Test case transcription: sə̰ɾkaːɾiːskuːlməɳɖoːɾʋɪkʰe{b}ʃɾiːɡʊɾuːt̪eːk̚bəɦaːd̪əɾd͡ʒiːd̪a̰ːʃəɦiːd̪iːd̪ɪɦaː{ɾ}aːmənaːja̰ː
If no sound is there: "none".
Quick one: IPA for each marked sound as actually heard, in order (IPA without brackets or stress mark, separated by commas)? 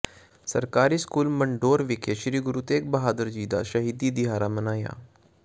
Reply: none, ɾ